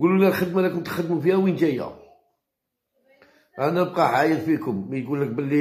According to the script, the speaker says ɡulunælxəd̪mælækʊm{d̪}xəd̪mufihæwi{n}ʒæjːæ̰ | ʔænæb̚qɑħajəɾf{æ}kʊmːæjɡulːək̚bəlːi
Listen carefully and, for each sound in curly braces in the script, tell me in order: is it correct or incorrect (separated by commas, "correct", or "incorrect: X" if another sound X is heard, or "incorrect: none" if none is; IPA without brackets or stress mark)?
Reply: incorrect: t̪, correct, incorrect: i